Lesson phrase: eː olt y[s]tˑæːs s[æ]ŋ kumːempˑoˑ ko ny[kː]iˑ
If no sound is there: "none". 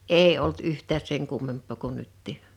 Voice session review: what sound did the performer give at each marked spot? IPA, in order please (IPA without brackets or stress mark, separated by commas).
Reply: h, e, tː